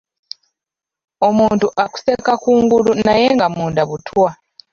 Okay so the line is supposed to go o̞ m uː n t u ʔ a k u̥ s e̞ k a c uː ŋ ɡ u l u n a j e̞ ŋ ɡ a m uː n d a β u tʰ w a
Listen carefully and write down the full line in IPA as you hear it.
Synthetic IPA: o̞ m uː n t u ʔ a k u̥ s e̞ k a k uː ŋ ɡ u l u n a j e̞ ŋ ɡ a m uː n d a β u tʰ w a